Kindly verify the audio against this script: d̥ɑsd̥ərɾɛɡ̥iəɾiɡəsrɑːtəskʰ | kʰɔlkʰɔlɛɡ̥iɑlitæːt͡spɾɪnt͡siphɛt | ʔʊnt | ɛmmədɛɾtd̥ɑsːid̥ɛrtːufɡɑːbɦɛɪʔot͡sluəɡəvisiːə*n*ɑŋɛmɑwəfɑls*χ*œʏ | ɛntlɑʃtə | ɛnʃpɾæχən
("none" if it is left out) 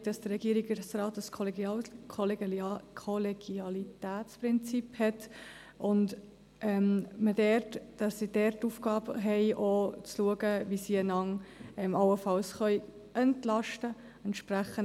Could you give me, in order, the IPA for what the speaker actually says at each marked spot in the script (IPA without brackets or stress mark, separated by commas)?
n, χ